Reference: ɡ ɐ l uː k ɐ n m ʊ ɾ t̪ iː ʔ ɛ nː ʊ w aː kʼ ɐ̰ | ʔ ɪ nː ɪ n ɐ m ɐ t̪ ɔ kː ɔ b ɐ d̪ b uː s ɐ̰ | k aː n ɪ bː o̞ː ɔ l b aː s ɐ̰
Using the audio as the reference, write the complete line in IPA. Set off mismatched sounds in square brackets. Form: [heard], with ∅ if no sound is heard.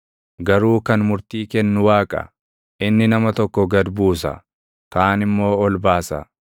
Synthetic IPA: ɡ ɐ [ɾ] uː k ɐ n m ʊ ɾ t̪ iː [k] ɛ nː ʊ w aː kʼ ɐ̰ | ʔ ɪ nː ɪ n ɐ m ɐ t̪ ɔ kː ɔ [ɡ] ɐ d̪ b uː s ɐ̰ | k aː n ɪ [mː] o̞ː ɔ l b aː s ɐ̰